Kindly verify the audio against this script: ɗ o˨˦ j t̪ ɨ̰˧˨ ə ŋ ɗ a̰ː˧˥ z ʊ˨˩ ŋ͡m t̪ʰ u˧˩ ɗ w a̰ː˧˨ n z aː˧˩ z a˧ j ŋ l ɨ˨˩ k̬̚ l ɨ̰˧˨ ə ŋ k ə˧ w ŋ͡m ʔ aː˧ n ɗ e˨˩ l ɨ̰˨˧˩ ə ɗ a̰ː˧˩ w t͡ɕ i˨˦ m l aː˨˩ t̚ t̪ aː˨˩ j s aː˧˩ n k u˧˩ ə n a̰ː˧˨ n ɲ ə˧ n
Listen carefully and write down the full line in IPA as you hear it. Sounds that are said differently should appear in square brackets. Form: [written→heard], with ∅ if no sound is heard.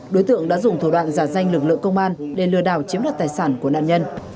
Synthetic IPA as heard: ɗ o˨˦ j t̪ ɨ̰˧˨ ə ŋ ɗ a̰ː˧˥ z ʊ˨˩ ŋ͡m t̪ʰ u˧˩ ɗ w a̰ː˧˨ n z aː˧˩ z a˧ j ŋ l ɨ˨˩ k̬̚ l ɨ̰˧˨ ə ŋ k ə˧ w ŋ͡m ʔ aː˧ n ɗ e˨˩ l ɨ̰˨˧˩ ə ɗ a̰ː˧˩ w t͡ɕ i˨˦ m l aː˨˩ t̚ t̪ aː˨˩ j s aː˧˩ n k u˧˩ ə n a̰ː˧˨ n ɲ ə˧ n